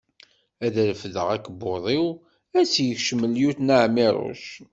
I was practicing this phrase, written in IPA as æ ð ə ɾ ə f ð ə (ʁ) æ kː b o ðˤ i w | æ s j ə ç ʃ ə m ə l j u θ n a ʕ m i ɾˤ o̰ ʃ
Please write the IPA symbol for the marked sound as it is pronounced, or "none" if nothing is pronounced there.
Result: ʁ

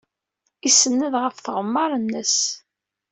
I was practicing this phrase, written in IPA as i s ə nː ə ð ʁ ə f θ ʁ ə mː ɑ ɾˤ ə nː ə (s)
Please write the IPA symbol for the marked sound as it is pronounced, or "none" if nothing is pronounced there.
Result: s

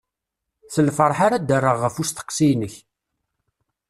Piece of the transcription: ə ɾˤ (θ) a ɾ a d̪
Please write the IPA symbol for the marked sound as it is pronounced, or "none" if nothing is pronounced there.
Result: ħ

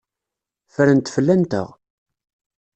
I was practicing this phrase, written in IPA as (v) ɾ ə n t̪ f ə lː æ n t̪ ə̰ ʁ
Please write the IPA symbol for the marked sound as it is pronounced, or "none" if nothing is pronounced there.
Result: f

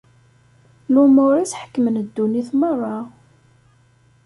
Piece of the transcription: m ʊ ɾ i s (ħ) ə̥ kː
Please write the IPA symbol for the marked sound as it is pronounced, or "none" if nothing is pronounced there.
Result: ħ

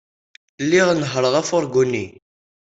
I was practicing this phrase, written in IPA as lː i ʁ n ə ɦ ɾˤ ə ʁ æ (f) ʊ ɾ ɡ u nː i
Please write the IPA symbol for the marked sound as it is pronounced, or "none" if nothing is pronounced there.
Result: f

